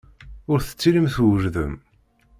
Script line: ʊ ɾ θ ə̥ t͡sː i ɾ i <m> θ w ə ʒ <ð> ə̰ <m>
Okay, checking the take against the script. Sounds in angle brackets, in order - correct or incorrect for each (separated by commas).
correct, correct, correct